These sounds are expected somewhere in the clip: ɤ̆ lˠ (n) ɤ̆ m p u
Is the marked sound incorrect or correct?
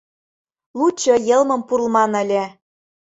incorrect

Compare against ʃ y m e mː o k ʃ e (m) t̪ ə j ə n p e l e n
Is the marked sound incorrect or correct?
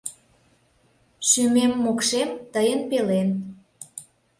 correct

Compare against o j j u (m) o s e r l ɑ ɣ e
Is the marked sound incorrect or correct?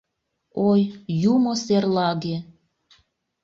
correct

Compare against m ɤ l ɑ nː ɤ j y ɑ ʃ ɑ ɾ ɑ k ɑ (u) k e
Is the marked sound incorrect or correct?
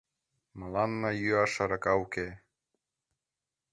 correct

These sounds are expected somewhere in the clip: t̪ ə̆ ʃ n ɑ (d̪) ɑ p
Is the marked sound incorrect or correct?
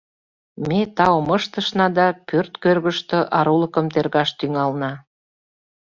correct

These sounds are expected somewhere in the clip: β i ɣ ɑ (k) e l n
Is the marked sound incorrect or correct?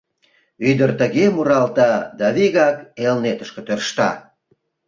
correct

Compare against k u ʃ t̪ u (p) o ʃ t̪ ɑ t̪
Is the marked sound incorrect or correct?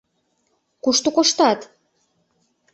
incorrect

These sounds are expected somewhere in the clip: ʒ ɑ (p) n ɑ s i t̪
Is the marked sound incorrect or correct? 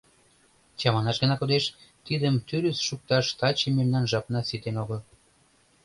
correct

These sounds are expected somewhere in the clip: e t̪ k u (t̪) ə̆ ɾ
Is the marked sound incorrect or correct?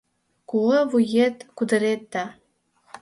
incorrect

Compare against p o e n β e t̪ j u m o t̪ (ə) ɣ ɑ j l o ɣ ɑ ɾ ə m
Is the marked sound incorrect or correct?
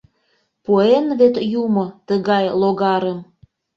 correct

